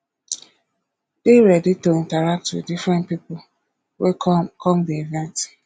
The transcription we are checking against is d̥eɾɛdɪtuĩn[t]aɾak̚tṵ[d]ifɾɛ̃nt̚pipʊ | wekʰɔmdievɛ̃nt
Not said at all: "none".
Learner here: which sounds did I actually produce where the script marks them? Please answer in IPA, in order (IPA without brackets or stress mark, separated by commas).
t, d